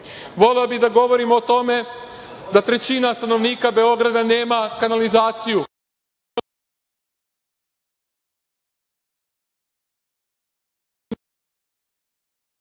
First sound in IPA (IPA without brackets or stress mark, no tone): ʋ